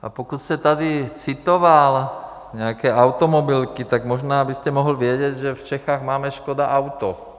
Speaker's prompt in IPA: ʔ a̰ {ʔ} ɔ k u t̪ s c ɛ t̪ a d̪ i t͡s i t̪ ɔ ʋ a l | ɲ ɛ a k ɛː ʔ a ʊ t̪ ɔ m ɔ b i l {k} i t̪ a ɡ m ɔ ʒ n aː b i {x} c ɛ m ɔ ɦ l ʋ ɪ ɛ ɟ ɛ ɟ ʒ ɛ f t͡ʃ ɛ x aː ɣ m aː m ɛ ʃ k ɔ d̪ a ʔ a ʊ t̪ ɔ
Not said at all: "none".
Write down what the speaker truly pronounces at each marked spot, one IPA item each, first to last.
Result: p, k, s

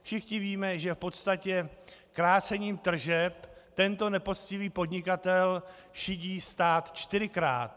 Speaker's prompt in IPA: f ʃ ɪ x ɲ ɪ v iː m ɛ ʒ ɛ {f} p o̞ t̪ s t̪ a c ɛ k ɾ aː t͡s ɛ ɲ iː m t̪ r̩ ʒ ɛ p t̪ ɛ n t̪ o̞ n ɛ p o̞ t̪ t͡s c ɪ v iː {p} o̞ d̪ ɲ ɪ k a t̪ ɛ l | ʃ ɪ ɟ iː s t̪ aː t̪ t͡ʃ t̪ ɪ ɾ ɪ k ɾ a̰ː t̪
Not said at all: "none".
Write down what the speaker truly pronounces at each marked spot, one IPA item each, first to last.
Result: f, p

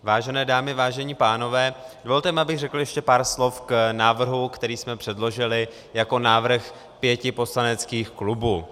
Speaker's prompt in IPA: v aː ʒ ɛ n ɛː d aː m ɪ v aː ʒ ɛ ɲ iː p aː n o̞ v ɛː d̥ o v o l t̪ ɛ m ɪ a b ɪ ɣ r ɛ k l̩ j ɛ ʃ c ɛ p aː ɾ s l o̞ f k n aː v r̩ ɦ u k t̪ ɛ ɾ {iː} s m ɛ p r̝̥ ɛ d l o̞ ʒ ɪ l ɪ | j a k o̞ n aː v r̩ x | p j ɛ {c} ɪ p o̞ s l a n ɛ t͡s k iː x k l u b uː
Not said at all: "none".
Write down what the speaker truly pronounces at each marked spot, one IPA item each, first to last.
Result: iː, c

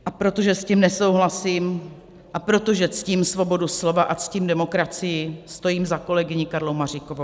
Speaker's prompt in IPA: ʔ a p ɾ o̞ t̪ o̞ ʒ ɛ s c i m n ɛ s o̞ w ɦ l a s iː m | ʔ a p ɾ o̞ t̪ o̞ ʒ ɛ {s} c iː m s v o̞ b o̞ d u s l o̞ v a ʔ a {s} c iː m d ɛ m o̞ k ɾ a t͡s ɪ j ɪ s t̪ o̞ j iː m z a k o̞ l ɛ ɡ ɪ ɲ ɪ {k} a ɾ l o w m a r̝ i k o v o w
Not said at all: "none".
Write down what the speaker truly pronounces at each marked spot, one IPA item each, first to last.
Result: t͡s, t͡s, k

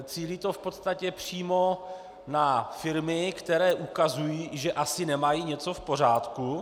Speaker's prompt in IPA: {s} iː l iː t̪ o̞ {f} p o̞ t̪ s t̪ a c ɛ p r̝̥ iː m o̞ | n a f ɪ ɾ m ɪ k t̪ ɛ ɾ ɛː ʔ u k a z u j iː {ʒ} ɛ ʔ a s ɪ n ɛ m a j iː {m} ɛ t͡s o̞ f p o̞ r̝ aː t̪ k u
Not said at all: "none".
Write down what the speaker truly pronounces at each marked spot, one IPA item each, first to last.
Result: t͡s, f, ʒ, ɲ

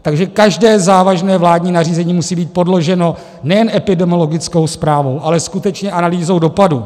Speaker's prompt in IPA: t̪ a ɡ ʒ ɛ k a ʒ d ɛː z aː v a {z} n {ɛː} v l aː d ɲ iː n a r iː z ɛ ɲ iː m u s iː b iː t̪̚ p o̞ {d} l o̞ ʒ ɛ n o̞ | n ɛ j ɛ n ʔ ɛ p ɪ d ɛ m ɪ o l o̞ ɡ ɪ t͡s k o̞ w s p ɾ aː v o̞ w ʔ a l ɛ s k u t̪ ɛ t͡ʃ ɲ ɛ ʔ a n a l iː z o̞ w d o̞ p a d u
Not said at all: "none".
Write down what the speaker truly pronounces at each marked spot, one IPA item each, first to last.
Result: ʒ, ɛː, d

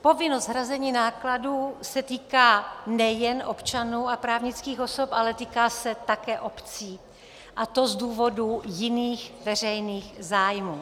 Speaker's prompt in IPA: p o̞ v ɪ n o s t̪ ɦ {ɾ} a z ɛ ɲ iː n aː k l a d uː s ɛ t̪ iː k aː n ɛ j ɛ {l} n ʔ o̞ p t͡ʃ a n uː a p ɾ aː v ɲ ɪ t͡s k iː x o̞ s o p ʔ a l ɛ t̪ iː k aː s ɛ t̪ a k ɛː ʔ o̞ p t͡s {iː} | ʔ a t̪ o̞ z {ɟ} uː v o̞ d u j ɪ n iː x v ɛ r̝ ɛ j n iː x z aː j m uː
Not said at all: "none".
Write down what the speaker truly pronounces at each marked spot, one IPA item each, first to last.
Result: ɾ, none, iː, d

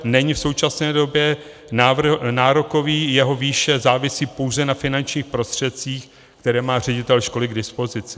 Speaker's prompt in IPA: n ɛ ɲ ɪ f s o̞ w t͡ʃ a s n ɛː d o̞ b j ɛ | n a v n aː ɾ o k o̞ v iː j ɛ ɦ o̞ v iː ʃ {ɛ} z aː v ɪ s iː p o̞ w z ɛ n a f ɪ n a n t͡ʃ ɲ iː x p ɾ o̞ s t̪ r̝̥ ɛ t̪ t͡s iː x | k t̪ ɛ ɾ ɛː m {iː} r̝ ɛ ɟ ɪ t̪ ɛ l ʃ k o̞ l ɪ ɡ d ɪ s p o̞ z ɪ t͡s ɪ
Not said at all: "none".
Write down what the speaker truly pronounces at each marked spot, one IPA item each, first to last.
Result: ɛ, aː

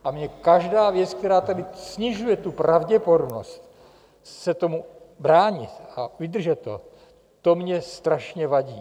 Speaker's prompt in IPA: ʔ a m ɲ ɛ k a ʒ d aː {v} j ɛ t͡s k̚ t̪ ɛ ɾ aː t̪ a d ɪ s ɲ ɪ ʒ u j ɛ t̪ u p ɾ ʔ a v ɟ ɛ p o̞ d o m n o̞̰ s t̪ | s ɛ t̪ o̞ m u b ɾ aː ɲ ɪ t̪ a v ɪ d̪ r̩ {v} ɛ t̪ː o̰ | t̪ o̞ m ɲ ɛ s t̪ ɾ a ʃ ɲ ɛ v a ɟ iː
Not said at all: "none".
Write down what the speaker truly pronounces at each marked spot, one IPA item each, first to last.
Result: v, ʒ

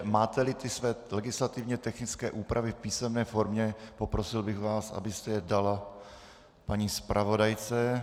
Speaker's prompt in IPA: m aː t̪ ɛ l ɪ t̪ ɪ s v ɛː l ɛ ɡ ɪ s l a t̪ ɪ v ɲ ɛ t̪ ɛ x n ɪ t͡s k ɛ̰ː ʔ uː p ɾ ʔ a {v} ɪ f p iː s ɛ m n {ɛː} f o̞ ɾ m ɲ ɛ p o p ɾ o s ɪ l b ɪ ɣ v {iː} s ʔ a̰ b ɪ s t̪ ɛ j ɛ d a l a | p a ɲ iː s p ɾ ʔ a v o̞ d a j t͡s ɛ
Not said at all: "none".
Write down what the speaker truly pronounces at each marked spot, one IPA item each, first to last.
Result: v, ɛː, aː

